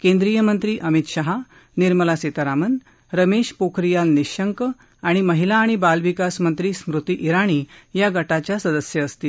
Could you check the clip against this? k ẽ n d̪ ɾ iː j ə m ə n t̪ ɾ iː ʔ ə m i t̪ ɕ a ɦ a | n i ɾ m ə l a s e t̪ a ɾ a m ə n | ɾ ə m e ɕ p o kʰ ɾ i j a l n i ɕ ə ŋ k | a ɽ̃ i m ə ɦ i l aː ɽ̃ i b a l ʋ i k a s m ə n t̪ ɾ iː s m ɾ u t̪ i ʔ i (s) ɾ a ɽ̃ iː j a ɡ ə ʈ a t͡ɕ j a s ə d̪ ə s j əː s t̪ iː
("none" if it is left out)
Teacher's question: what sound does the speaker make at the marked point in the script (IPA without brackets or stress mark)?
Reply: none